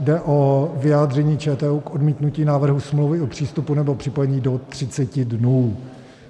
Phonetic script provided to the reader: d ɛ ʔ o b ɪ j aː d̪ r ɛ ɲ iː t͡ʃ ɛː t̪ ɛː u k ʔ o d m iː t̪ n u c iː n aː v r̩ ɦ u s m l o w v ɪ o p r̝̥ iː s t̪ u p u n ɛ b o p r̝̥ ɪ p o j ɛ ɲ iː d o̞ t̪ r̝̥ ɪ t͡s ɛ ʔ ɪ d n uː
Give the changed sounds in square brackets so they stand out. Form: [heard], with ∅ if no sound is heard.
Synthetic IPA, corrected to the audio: d ɛ ʔ o [v] ɪ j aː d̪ r ɛ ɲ iː t͡ʃ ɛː t̪ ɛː u k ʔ o d m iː t̪ n u c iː n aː v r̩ ɦ u s m l o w v ɪ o p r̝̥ iː s t̪ u p u n ɛ b o p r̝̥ ɪ p o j ɛ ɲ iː d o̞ t̪ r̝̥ ɪ t͡s ɛ [c] ɪ d n uː